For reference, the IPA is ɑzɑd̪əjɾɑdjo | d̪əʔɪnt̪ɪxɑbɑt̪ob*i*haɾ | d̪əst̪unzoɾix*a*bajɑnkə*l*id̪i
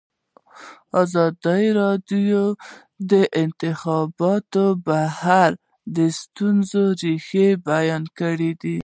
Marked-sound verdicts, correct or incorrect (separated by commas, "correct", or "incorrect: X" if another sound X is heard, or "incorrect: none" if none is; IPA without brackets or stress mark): incorrect: a, incorrect: e, incorrect: ɽ